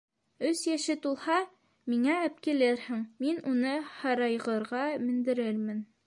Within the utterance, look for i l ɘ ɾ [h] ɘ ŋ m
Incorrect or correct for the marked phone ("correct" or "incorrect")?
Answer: correct